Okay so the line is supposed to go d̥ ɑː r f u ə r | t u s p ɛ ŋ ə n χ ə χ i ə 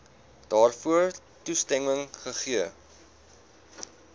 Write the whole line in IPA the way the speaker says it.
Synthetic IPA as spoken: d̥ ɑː r f u ə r | t u s t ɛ ŋ ə ŋ χ ə χ i ə